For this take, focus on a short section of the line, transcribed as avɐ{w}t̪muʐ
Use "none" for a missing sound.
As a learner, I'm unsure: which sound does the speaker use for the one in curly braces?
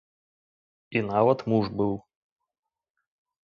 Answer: none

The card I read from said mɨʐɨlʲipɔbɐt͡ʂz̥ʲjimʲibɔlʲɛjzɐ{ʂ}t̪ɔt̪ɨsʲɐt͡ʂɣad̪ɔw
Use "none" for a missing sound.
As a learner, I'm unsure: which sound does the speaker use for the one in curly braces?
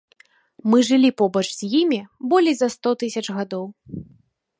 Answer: s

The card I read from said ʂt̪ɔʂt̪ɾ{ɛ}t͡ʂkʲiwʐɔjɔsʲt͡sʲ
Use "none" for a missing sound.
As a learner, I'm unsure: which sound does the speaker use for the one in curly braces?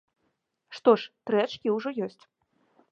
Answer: ɛ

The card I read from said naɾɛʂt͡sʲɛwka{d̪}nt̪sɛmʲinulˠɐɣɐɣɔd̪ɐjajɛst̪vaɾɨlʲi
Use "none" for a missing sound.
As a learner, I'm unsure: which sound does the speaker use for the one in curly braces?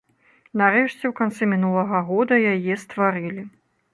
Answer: none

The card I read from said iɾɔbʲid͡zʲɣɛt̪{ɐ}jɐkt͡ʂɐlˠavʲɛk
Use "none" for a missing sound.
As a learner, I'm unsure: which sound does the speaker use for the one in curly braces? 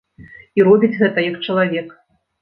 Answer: ɐ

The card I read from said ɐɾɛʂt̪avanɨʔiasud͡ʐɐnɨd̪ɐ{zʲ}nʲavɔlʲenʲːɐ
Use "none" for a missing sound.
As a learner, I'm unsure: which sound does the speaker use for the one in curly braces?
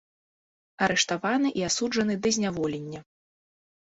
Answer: zʲ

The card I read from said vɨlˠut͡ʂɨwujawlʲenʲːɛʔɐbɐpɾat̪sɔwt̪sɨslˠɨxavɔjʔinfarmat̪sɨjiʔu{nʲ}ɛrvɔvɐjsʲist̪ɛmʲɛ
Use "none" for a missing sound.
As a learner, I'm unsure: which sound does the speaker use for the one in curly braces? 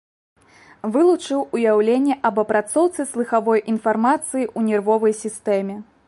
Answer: nʲ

